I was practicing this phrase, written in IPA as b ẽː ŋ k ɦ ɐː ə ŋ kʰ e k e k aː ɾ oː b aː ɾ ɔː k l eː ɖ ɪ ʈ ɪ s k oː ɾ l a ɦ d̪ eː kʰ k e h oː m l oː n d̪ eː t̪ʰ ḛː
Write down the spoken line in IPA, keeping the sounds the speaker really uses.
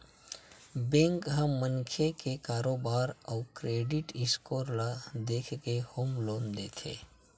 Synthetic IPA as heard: b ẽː ŋ k ɦ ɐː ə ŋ kʰ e k e k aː ɾ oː b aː ɾ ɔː k ɾ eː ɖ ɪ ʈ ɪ s k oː ɾ l a d̪ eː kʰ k e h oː m l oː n d̪ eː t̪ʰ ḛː